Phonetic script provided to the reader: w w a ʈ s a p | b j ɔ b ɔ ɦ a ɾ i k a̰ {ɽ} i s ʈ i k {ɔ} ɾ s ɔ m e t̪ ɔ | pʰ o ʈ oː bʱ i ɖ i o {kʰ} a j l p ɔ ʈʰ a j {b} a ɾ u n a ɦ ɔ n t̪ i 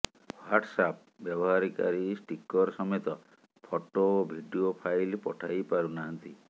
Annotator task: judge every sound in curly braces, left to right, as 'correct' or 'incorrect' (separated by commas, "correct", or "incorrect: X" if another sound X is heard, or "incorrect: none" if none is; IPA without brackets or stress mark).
incorrect: ɾ, correct, incorrect: pʰ, incorrect: p